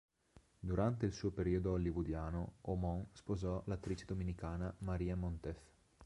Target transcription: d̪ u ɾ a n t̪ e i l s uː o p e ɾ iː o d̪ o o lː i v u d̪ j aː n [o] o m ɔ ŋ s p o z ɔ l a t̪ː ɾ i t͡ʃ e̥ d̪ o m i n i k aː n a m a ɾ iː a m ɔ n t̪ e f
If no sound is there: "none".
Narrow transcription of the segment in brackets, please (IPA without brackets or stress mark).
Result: o